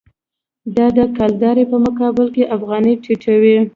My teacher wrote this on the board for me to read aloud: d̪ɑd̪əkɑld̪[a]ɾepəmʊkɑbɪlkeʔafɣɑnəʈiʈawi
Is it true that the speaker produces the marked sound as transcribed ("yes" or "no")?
no